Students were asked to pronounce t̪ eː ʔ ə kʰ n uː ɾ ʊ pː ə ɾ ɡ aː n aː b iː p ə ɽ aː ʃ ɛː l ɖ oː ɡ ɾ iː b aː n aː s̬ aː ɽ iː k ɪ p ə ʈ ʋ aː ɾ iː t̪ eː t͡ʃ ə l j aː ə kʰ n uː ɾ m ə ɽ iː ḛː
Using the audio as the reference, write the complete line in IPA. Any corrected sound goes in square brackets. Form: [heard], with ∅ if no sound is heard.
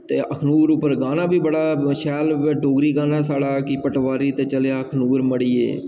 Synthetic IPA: t̪ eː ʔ ə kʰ n uː ɾ ʊ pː ə ɾ ɡ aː n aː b iː [b] ə ɽ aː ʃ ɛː l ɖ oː ɡ ɾ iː [ɡ] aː n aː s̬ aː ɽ [aː] k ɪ p ə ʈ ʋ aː ɾ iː t̪ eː t͡ʃ ə l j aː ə kʰ n uː ɾ m ə ɽ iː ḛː

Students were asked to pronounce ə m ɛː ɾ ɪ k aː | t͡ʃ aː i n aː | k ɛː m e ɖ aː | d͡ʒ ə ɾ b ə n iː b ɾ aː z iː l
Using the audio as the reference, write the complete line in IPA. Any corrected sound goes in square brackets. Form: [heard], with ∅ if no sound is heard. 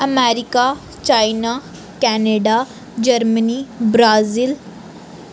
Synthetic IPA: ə m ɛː ɾ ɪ k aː | t͡ʃ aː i n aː | k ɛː [n] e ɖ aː | d͡ʒ ə ɾ [m] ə n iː b ɾ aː z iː l

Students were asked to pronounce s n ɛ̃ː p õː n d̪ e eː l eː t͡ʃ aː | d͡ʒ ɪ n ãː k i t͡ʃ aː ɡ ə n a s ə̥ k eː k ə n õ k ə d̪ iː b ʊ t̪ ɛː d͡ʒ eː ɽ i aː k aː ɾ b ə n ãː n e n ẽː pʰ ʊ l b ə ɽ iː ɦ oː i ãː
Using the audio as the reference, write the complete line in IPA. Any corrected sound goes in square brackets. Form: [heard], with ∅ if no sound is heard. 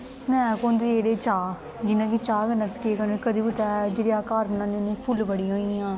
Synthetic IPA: s n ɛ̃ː [k] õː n d̪ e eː [ɽ] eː t͡ʃ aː | d͡ʒ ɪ n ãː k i t͡ʃ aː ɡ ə n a s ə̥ k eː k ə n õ k ə d̪ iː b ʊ t̪ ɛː d͡ʒ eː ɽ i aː k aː ɾ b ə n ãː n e n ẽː pʰ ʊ l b ə ɽ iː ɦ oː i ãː

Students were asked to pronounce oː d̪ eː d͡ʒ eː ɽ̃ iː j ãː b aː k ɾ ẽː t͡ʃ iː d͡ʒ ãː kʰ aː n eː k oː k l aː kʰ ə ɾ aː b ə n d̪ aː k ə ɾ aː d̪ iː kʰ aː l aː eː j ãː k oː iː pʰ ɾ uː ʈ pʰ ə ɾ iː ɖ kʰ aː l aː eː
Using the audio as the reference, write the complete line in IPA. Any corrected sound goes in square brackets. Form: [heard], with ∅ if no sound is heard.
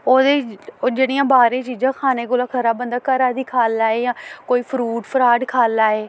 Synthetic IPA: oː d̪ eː d͡ʒ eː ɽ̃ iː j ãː b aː [∅] ɾ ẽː t͡ʃ iː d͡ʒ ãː kʰ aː n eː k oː [∅] l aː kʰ ə ɾ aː b ə n d̪ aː k ə ɾ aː d̪ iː kʰ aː l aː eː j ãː k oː iː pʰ ɾ uː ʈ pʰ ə ɾ [aː] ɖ kʰ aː l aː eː

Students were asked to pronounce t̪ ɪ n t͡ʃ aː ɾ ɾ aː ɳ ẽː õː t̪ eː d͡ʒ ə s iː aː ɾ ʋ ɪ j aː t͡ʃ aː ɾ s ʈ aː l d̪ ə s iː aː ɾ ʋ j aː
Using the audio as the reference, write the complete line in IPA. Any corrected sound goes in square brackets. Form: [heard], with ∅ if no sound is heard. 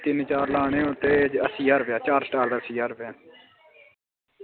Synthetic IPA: t̪ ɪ n t͡ʃ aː ɾ [l] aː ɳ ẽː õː t̪ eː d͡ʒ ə s iː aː ɾ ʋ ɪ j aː t͡ʃ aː ɾ s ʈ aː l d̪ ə s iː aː ɾ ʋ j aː

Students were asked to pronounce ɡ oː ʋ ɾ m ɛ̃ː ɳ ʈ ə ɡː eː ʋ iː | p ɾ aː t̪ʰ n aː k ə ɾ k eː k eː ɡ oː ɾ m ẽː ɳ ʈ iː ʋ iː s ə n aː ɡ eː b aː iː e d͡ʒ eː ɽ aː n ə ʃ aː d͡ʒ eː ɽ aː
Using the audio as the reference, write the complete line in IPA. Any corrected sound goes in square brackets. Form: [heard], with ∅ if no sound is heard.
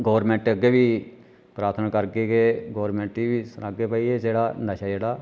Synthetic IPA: ɡ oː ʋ ɾ m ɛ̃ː ɳ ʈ ə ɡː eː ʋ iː | p ɾ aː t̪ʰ n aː k ə ɾ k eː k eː ɡ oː ɾ m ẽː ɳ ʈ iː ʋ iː s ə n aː ɡ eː [p] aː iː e d͡ʒ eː ɽ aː n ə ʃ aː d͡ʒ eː ɽ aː

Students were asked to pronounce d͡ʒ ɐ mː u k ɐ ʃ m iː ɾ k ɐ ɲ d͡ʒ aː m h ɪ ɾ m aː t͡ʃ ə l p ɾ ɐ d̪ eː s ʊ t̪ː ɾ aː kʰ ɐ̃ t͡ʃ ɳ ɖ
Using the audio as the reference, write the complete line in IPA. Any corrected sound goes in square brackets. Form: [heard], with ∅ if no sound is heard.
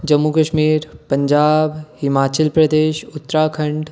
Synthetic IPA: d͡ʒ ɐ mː u k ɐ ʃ m iː ɾ [p] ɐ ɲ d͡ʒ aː [b] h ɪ [∅] m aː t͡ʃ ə l p ɾ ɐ d̪ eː [ʃ] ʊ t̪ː ɾ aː kʰ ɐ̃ [∅] ɳ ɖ

